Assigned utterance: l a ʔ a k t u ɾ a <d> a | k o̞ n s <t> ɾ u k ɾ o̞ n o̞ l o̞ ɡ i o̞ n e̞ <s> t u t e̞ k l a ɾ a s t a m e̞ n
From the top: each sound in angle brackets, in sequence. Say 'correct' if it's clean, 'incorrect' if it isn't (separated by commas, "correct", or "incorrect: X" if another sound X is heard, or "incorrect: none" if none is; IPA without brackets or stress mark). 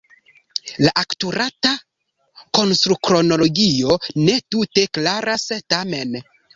incorrect: t, correct, incorrect: none